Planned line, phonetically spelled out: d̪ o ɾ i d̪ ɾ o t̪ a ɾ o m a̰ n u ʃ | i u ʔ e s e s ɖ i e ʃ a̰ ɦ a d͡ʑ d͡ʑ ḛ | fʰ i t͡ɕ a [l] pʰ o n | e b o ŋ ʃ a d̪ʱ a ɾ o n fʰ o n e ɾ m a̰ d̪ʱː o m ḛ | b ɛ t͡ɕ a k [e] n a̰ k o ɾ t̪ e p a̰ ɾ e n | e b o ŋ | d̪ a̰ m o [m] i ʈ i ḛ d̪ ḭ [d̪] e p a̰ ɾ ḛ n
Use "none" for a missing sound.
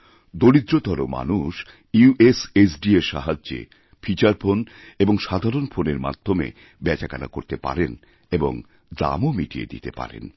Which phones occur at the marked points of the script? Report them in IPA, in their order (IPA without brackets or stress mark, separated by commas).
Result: ɾ, a, m, t̪